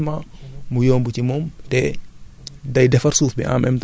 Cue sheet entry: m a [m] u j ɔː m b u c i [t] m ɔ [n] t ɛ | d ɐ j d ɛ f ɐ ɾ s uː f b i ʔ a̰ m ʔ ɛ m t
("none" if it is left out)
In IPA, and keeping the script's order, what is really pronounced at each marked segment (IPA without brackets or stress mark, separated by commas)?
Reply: m, none, m